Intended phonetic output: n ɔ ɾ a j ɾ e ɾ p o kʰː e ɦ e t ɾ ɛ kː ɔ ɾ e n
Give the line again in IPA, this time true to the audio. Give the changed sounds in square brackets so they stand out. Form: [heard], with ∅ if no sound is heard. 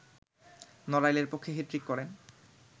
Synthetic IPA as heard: n ɔ ɾ a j [l] e ɾ p o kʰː e ɦ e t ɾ [i] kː ɔ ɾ e n